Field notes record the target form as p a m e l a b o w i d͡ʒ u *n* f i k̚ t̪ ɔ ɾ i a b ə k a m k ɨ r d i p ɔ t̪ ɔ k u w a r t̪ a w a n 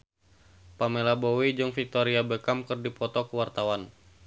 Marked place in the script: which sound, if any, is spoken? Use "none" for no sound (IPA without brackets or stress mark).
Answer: ŋ